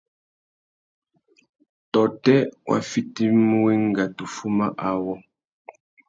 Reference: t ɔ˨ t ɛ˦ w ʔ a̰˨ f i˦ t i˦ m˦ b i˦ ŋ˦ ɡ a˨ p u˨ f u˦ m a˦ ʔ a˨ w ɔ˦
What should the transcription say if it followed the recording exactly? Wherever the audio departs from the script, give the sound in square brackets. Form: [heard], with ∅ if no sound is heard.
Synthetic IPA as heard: t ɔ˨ t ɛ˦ w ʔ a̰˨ f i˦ t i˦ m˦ [w] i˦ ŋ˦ ɡ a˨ [t] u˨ f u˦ m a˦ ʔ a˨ w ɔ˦